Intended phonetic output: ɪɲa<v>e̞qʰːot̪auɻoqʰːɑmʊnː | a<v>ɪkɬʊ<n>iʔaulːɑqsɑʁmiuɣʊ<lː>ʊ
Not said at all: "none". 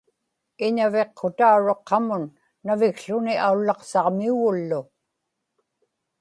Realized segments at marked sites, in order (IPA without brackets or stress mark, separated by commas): v, v, n, lː